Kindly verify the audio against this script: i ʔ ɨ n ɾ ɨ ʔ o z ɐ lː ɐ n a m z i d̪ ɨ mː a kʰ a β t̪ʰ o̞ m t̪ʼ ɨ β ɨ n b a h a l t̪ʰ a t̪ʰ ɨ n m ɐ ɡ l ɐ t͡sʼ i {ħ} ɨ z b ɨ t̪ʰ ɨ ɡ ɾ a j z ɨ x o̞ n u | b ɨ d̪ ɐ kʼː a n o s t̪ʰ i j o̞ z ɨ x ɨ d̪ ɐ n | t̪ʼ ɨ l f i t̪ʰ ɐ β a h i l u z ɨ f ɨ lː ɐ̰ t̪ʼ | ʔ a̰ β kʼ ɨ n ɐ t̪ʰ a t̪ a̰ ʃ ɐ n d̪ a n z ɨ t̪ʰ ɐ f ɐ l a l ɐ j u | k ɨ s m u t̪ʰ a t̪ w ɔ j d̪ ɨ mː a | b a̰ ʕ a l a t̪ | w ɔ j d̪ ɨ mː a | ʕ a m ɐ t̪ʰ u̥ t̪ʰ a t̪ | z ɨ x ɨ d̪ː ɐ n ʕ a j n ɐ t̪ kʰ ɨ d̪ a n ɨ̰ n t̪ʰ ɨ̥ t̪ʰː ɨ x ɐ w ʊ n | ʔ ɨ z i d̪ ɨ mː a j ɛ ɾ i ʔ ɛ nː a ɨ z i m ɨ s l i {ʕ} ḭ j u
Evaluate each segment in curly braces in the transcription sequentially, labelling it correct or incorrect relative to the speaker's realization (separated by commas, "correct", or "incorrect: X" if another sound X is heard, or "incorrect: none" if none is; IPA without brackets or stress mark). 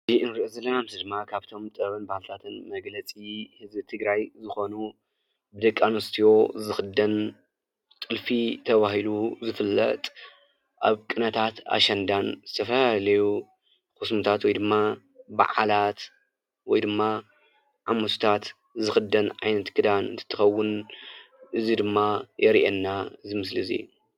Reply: incorrect: h, incorrect: z